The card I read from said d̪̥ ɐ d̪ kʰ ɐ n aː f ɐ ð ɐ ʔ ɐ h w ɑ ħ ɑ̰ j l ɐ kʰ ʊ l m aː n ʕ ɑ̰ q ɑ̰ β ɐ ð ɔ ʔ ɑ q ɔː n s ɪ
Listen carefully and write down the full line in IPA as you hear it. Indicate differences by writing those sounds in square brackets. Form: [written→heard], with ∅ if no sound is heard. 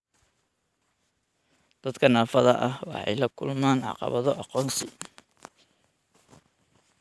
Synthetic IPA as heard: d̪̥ ɐ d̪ kʰ ɐ n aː f ɐ ð ɐ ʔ ɐ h w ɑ ħ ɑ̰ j l ɐ kʰ ʊ l m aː n ʕ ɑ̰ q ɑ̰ β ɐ ð ɔ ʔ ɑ q ɔː n s ɪ

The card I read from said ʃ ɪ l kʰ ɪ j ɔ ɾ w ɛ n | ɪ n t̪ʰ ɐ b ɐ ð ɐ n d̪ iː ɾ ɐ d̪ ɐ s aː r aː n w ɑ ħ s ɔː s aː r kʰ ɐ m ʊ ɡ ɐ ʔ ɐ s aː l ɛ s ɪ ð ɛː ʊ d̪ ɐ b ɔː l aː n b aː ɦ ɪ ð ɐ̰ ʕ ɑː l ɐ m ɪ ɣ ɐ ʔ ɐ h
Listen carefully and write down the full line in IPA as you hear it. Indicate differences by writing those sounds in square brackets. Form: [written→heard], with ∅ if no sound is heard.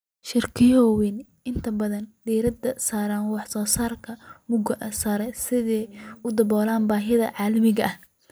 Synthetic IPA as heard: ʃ ɪ [l→r] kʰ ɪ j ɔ [ɾ→∅] w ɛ n | ɪ n t̪ʰ ɐ b ɐ ð ɐ n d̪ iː ɾ ɐ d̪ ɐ s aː [r→ɾ] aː n w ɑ ħ s ɔː s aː r kʰ ɐ m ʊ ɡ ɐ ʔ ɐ s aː [l→ɾ] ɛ s ɪ ð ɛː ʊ d̪ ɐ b ɔː l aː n b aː ɦ ɪ ð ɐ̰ ʕ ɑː l ɐ m ɪ ɣ ɐ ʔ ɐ h

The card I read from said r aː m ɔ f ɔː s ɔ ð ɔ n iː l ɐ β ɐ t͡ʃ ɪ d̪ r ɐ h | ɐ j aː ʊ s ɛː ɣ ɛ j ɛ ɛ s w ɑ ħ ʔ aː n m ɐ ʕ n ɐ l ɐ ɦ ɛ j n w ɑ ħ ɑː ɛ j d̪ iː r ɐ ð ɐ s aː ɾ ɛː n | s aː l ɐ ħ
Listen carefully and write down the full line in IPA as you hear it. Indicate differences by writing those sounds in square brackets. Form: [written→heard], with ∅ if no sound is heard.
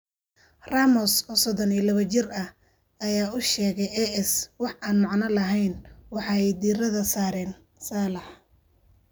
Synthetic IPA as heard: r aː m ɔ [f→s] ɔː s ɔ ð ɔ n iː l ɐ β ɐ t͡ʃ ɪ [d̪→∅] r ɐ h | ɐ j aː ʊ [s→ʃ] ɛː ɣ ɛ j ɛ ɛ s w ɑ ħ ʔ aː n m [ɐ→ɑ] ʕ n ɐ l ɐ ɦ ɛ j n w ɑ ħ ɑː ɛ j d̪ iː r ɐ ð ɐ s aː ɾ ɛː n | s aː l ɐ ħ

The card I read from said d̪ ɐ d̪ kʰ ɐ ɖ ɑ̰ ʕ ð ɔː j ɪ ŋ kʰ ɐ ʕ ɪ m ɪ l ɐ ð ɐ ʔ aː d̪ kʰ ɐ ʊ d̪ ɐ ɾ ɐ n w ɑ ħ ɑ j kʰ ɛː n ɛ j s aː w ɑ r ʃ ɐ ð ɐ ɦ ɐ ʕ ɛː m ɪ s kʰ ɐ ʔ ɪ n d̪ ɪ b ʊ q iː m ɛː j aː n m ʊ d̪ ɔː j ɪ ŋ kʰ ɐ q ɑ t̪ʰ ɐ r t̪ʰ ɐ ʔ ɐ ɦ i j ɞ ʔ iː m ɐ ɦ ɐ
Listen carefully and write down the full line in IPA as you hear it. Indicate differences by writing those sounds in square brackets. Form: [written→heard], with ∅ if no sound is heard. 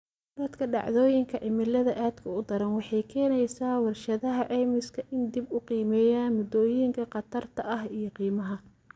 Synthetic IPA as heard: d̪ ɐ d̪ kʰ ɐ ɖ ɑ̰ ʕ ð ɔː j ɪ ŋ kʰ ɐ ʕ ɪ m ɪ l ɐ ð ɐ ʔ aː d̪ kʰ ɐ ʊ d̪ ɐ ɾ ɐ n w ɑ ħ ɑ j kʰ ɛː n ɛ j s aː w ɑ r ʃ ɐ ð ɐ ɦ ɐ ʕ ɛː m ɪ s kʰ ɐ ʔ ɪ n d̪ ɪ b ʊ q iː m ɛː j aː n m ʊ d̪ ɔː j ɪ ŋ kʰ ɐ q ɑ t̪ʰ ɐ r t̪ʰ ɐ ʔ ɐ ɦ i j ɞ [ʔ→q] iː m ɐ ɦ ɐ

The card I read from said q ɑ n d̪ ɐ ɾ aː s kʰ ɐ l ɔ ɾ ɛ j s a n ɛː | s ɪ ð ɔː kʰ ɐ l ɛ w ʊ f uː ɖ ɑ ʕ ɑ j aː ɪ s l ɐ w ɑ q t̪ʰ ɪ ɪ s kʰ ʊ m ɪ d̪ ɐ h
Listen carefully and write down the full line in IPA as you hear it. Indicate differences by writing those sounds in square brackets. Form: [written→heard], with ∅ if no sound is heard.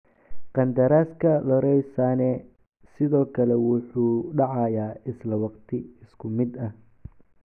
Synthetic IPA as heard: q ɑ n d̪ ɐ ɾ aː s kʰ ɐ l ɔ ɾ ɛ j s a n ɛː | s ɪ ð ɔː kʰ ɐ l ɛ w ʊ [f→ħ] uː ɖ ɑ ʕ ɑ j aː ɪ s l ɐ w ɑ q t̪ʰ ɪ ɪ s kʰ ʊ m ɪ d̪ ɐ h

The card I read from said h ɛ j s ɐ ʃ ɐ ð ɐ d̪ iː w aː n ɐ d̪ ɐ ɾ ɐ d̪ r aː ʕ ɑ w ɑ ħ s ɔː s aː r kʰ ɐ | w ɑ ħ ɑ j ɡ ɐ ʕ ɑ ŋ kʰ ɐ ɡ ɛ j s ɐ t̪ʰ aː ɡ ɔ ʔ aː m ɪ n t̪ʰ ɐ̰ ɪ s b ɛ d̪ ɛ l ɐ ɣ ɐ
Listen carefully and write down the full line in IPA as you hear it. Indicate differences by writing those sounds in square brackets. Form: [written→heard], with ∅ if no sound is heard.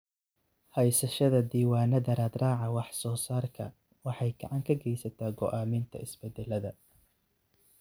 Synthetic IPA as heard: h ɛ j s ɐ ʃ ɐ ð ɐ d̪ iː w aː n ɐ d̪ ɐ ɾ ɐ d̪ r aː ʕ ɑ w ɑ ħ s ɔː s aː r kʰ ɐ | w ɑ ħ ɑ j ɡ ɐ ʕ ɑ ŋ kʰ ɐ ɡ ɛ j s ɐ t̪ʰ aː ɡ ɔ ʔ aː m ɪ n t̪ʰ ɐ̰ ɪ s b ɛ d̪ ɛ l ɐ [ɣ→ð] ɐ

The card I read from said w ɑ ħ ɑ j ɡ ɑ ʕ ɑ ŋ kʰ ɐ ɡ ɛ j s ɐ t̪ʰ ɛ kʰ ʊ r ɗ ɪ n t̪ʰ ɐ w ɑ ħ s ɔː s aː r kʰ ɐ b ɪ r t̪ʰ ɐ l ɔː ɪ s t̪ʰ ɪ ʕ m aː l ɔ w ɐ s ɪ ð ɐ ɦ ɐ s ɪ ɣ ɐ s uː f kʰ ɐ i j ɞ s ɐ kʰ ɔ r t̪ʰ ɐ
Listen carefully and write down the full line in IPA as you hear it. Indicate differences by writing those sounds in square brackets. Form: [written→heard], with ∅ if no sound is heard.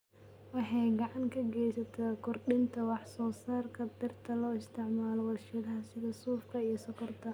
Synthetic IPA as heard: w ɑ ħ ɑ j ɡ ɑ ʕ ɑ ŋ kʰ ɐ ɡ ɛ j s ɐ t̪ʰ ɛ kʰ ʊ r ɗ ɪ n t̪ʰ ɐ w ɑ ħ s ɔː s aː r kʰ ɐ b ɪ r t̪ʰ ɐ l ɔː ɪ s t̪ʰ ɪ ʕ m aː l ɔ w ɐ [s→ʃ] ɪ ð ɐ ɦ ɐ s ɪ [ɣ→ð] ɐ s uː f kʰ ɐ i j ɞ s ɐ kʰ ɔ r t̪ʰ ɐ

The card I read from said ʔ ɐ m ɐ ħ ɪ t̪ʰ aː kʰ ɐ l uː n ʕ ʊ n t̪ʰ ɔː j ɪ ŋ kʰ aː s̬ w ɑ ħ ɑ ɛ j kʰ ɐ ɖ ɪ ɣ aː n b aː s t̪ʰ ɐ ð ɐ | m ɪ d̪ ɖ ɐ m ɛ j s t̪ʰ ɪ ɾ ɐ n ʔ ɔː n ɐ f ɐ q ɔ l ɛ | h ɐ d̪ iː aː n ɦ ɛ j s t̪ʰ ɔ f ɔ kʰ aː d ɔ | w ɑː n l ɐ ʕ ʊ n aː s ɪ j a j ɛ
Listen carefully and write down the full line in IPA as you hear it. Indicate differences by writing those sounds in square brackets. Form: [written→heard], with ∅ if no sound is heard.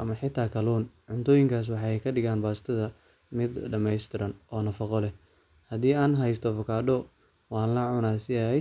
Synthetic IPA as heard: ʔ ɐ m ɐ ħ ɪ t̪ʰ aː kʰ ɐ l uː n ʕ ʊ n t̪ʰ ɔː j ɪ ŋ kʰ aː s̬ w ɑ ħ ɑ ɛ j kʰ ɐ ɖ ɪ ɣ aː n b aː s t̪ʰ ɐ ð ɐ | m ɪ d̪ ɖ ɐ m ɛ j s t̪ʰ ɪ ɾ ɐ n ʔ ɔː n ɐ f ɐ q ɔ l ɛ | h ɐ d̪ iː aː n ɦ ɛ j s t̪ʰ ɔ f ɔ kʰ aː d ɔ | w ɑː n l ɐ ʕ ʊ n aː s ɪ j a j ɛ

